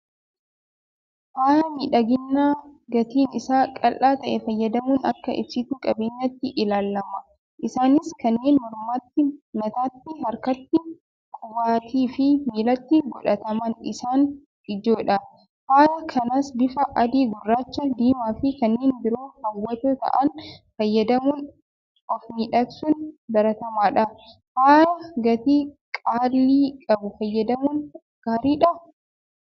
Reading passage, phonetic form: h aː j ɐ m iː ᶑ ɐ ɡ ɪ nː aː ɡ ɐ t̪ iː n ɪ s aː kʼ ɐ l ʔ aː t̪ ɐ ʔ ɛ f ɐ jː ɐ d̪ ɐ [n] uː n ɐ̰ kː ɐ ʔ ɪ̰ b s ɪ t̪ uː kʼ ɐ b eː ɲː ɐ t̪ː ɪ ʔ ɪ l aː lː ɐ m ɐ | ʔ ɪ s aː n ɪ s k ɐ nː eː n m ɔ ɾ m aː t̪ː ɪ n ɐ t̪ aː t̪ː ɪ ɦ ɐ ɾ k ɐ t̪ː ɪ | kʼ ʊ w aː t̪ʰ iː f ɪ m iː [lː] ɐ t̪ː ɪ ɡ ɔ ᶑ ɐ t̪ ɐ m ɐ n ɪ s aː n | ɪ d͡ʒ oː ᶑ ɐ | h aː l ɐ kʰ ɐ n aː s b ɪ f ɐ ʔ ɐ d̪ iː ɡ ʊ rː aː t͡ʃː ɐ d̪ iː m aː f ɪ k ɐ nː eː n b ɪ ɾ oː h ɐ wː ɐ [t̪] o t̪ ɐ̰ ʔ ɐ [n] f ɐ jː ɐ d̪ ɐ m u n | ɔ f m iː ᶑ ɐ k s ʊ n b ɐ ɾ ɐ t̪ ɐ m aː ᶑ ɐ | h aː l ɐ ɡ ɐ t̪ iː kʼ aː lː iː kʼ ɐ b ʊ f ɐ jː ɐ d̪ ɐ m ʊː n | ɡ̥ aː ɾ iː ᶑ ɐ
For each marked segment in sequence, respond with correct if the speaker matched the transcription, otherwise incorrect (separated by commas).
incorrect, incorrect, correct, correct